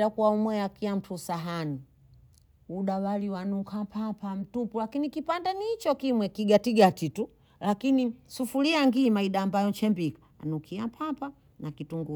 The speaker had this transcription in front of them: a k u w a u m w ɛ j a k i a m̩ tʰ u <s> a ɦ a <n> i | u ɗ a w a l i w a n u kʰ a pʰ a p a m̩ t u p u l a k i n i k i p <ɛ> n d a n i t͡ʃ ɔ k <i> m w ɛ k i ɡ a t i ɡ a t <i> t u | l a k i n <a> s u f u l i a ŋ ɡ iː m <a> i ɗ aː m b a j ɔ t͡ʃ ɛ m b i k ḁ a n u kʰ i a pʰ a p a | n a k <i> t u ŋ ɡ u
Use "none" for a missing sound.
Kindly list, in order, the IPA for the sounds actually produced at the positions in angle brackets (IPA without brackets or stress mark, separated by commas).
s, n, a, i, i, i, a, i